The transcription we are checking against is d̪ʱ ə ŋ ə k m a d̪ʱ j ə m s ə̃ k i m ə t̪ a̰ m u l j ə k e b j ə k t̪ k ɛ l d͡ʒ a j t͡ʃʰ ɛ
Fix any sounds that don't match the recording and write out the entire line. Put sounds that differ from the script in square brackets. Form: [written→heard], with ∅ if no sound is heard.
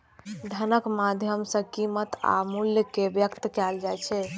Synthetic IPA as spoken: d̪ʱ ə [ŋ→n] ə k m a d̪ʱ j ə m s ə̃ k i m ə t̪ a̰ m u l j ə k e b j ə k t̪ k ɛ l d͡ʒ a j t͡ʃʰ ɛ